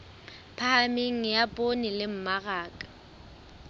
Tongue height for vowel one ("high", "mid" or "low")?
low